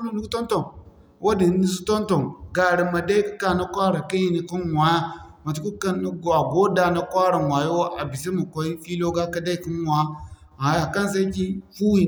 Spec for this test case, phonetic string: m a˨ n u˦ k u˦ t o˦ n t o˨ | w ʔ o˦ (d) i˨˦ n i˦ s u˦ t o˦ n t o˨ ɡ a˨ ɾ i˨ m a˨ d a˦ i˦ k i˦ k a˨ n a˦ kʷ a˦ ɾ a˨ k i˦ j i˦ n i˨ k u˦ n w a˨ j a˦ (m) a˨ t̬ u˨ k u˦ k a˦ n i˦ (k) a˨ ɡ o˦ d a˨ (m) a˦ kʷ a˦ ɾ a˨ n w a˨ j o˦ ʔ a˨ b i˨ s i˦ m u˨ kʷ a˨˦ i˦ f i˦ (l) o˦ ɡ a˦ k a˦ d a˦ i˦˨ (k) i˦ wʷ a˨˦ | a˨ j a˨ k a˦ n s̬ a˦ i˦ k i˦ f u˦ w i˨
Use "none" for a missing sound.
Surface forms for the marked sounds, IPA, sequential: d, m, ɡ, n, l, k

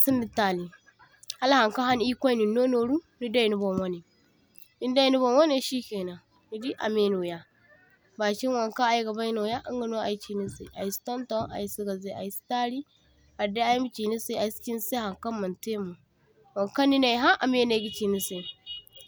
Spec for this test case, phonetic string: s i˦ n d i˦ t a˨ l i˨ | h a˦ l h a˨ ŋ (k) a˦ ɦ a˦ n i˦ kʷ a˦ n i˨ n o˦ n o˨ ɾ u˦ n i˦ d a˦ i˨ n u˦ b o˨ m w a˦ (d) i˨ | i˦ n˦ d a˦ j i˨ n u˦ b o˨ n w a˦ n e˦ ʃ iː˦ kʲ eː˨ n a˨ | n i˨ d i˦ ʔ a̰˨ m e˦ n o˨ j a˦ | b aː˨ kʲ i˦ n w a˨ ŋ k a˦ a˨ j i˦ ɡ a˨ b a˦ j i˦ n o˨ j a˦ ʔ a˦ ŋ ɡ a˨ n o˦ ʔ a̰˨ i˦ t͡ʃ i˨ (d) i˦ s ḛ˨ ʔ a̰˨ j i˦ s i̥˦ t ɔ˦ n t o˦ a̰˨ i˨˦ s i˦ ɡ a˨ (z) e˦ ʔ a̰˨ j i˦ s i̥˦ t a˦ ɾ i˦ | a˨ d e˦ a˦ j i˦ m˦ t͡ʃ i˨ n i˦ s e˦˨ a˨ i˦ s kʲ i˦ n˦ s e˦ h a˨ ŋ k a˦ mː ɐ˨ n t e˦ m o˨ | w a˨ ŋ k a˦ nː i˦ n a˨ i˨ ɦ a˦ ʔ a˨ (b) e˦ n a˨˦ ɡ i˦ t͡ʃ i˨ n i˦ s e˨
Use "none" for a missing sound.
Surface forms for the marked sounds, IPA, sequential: k, n, n, z, m

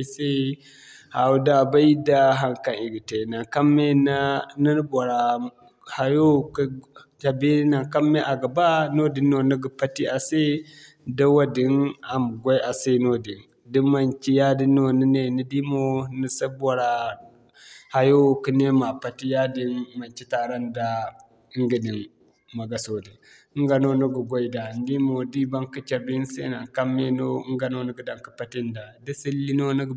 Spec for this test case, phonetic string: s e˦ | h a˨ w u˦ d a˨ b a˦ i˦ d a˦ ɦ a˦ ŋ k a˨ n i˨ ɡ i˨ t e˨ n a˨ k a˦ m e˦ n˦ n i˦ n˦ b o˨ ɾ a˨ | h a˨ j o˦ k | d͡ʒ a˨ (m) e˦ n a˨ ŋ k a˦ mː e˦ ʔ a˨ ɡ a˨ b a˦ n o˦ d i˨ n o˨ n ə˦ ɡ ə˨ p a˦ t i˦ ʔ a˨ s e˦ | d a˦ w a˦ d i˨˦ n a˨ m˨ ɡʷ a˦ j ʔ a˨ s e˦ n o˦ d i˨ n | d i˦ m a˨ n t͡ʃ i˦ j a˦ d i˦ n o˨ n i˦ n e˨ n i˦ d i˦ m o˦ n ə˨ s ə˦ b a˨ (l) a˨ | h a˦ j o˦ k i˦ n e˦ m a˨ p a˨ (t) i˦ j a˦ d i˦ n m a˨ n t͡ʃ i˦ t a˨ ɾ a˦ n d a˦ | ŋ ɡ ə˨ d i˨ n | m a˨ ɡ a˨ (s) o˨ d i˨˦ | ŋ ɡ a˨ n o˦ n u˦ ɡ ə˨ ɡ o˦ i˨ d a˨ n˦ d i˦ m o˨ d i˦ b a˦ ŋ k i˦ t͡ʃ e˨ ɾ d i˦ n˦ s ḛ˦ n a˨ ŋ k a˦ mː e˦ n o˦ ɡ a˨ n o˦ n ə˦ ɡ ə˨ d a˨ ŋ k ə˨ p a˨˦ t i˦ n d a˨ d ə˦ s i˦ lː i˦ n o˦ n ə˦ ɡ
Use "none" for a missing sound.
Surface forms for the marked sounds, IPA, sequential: b, ɾ, t, s

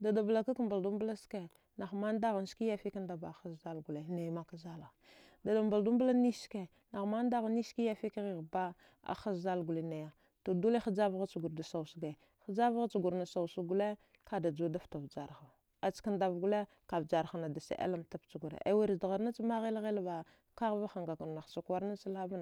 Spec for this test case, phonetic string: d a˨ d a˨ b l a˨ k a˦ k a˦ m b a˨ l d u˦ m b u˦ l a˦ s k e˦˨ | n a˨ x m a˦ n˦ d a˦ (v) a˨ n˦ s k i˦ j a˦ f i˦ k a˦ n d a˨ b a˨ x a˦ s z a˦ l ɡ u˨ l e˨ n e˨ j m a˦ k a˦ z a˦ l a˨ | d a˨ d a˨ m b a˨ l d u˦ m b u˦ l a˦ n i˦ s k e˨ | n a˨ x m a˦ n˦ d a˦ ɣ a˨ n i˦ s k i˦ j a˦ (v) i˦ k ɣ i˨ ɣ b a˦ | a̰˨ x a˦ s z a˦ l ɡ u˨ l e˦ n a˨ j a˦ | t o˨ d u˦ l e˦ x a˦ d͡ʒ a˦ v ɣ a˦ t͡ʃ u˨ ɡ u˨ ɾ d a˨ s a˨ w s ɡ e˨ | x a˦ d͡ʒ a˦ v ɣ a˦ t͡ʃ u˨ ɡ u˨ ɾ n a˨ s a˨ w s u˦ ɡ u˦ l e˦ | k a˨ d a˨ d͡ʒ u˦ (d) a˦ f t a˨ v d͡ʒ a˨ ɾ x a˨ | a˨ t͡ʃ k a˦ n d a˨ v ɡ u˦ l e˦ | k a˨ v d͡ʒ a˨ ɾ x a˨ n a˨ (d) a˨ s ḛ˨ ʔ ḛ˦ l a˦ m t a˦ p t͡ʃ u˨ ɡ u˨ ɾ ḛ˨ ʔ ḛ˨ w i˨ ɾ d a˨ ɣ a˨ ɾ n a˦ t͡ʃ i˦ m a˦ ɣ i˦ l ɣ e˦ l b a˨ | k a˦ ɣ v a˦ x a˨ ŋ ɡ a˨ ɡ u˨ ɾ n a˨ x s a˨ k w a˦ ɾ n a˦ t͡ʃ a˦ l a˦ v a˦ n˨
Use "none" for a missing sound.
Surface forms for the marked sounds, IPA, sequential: ɣ, f, d, d

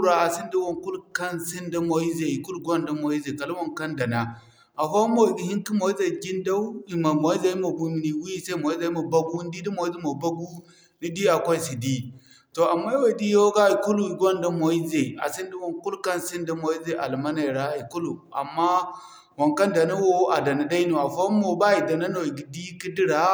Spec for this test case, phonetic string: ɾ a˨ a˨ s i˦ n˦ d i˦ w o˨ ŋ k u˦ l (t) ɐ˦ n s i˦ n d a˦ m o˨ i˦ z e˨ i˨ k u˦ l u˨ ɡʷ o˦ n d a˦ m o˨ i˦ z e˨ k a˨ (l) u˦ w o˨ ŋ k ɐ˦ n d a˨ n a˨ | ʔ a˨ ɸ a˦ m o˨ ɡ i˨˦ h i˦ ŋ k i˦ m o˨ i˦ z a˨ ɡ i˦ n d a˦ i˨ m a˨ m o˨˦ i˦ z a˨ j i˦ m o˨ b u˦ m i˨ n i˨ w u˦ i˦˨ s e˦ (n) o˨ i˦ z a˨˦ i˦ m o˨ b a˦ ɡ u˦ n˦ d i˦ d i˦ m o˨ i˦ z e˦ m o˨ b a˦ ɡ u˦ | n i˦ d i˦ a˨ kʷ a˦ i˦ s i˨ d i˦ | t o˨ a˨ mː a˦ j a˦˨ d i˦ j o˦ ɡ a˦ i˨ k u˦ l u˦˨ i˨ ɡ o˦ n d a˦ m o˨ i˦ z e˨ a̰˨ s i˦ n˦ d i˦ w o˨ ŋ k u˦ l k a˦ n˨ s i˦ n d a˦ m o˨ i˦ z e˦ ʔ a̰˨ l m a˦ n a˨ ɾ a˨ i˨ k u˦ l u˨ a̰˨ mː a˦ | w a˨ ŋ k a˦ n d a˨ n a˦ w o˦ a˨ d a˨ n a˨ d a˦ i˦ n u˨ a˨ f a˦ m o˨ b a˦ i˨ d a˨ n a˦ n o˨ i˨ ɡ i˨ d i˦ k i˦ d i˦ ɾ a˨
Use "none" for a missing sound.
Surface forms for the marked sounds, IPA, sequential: k, l, m

